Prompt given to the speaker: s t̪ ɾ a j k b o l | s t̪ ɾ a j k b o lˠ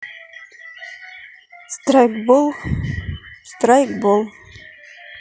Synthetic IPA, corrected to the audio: s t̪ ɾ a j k b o l | s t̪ ɾ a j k b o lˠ